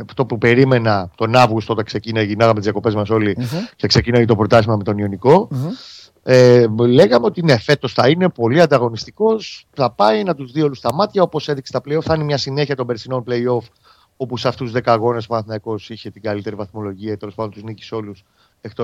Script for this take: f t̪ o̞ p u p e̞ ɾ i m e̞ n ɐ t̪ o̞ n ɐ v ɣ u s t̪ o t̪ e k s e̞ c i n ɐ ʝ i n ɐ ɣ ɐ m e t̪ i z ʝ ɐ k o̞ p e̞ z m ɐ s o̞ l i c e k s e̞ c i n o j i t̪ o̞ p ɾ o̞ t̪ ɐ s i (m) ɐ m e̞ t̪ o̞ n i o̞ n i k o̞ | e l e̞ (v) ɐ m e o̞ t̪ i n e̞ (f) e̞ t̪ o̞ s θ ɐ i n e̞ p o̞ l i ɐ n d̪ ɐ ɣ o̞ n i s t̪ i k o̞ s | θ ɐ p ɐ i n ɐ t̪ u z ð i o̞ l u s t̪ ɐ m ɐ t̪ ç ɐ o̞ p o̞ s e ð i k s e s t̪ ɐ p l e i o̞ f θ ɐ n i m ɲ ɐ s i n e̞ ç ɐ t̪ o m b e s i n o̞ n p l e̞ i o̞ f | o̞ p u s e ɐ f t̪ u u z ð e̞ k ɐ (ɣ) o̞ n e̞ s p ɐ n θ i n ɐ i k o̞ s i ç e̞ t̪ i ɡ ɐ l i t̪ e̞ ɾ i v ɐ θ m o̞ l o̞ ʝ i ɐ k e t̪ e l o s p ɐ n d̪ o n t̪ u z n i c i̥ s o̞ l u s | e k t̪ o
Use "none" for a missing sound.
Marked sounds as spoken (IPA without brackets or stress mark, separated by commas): m, ɣ, f, ɣ